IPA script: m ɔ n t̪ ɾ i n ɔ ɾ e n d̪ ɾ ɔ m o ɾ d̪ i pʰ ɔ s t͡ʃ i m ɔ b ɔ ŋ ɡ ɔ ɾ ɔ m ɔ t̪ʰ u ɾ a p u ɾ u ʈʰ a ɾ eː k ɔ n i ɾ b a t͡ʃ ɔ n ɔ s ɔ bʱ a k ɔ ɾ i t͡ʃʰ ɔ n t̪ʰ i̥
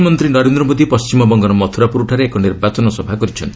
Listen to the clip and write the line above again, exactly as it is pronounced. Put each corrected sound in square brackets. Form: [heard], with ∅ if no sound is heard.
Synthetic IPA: m ɔ n t̪ ɾ i n ɔ ɾ e n d̪ ɾ ɔ m o [∅] d̪ i [p] ɔ s t͡ʃ i m ɔ b ɔ ŋ ɡ ɔ ɾ ɔ m ɔ t̪ʰ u ɾ a p u ɾ u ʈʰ a ɾ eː k ɔ n i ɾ b a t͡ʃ ɔ n ɔ s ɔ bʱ a k ɔ ɾ i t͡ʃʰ ɔ n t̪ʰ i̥